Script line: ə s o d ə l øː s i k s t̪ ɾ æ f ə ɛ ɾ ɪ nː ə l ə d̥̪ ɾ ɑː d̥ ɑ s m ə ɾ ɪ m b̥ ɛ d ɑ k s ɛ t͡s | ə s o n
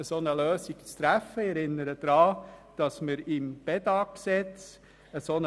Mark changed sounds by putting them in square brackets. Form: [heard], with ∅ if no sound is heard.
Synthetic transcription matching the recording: ə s o [n] ə l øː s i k [t͡s] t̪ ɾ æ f ə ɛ ɾ ɪ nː ə [ɾ] ə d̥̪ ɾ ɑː d̥ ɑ s m ə ɾ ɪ m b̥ ɛ d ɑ k s ɛ t͡s | ə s o n